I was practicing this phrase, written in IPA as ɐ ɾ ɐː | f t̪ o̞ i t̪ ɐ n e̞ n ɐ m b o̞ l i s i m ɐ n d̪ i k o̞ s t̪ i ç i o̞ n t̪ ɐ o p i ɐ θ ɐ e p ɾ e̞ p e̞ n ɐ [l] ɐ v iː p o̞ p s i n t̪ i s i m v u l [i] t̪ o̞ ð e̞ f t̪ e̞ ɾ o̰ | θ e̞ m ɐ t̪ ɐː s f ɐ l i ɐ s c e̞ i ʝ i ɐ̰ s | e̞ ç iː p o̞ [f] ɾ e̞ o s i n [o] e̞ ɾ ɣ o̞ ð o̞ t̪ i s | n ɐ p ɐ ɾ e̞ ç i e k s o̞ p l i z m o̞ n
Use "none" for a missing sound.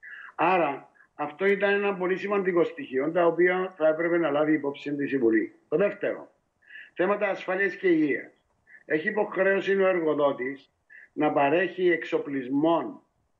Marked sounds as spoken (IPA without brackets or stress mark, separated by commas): l, i, x, o